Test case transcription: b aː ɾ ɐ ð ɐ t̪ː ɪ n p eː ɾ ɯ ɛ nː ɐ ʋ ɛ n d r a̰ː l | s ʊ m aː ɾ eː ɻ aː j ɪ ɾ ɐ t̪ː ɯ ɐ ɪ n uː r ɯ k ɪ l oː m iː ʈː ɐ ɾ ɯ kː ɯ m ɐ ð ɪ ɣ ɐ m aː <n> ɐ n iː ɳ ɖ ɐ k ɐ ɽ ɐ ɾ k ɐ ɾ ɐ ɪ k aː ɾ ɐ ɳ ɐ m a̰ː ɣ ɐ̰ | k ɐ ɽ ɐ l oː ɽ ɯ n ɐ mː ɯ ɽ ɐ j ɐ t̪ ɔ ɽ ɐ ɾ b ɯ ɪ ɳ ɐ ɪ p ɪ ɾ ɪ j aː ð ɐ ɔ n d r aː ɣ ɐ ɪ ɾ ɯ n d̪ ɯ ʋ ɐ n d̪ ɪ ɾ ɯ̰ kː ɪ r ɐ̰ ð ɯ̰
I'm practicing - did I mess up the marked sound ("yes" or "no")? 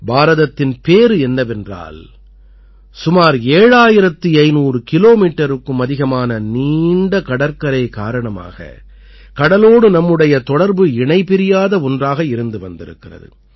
no